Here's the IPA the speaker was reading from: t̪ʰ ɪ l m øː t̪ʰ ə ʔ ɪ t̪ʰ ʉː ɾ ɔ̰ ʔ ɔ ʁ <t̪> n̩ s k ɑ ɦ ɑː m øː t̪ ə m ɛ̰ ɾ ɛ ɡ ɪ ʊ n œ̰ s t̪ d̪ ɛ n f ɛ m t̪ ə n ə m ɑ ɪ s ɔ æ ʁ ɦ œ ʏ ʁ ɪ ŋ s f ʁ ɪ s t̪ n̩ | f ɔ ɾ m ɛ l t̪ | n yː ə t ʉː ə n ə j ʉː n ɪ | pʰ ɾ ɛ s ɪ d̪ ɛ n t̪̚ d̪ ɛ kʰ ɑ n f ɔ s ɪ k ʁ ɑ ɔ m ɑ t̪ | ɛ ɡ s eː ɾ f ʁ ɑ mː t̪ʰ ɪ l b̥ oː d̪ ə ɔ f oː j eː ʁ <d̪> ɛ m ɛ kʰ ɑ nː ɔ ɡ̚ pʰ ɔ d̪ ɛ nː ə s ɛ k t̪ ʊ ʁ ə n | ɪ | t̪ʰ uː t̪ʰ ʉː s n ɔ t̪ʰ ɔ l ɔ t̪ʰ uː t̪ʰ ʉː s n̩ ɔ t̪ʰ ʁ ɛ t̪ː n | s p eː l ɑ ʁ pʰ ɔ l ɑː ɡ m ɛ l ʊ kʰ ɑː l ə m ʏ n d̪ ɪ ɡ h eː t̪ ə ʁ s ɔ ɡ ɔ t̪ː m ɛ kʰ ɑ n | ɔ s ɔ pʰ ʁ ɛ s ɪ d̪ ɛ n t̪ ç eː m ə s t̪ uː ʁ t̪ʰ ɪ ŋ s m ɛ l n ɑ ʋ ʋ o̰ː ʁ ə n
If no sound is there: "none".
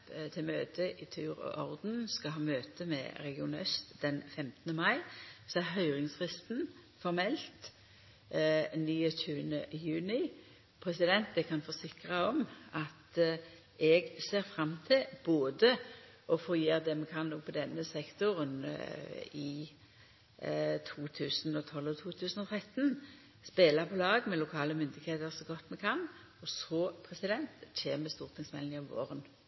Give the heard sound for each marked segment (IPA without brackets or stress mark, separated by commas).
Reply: d̪, d̪